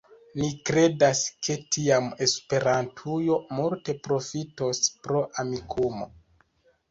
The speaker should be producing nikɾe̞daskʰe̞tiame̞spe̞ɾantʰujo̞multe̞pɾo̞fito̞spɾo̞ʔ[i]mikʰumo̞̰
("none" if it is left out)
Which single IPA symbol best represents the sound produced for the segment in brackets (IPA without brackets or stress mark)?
a